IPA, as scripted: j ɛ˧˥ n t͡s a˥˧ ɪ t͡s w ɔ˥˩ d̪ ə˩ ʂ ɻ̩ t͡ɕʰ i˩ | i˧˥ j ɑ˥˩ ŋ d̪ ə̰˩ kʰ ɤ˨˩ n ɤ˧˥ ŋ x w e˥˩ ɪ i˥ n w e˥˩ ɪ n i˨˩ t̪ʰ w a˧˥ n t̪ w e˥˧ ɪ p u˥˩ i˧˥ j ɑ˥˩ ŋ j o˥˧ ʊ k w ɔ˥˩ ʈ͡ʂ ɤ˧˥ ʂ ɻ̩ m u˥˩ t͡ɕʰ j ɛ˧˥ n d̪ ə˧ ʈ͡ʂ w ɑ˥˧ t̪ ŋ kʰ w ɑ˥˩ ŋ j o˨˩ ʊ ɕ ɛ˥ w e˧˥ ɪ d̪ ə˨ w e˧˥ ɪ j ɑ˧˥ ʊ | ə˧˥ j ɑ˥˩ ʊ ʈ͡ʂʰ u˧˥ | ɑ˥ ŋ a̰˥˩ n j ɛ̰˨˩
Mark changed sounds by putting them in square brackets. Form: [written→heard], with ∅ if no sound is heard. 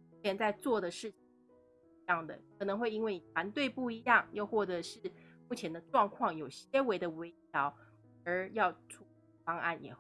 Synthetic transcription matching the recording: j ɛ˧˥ n t͡s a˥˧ ɪ t͡s w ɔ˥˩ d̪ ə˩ ʂ ɻ̩ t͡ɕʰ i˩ | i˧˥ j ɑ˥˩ ŋ d̪ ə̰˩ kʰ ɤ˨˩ n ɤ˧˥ ŋ x w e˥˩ ɪ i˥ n w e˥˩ ɪ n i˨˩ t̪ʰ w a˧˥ n t̪ w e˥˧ ɪ p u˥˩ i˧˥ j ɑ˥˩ ŋ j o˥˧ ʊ [k→x] w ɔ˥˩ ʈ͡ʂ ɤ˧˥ ʂ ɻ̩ m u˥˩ t͡ɕʰ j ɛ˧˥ n d̪ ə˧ ʈ͡ʂ w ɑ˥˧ [t̪→∅] ŋ kʰ w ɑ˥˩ ŋ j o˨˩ ʊ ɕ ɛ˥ w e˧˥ ɪ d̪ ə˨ w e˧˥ ɪ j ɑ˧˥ ʊ | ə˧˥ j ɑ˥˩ ʊ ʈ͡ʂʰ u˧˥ | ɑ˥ ŋ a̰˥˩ n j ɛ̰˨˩